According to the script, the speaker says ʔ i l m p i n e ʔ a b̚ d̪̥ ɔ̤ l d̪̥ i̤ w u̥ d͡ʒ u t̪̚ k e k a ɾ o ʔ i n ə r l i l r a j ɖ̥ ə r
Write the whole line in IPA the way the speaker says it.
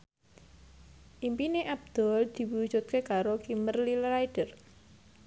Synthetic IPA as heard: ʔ i m p i n e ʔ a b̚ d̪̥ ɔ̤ l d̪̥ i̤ w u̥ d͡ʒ u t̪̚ k e k a ɾ o k i m ə r l i l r a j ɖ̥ ə r